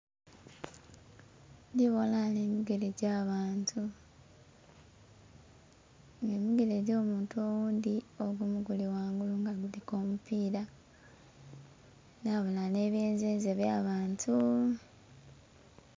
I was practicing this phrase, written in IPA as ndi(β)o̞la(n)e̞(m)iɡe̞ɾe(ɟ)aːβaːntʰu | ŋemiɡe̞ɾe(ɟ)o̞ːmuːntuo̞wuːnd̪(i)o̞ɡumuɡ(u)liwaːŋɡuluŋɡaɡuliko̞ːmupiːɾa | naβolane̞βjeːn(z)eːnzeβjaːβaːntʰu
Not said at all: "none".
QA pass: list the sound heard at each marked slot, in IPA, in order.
β, n, m, ɟ, ɟ, i, u, z

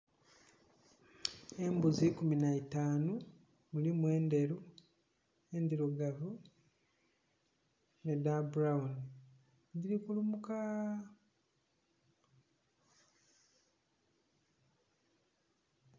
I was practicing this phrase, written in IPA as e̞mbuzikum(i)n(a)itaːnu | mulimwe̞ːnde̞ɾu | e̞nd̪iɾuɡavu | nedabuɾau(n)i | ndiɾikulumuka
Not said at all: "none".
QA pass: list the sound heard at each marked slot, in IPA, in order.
i, a, n

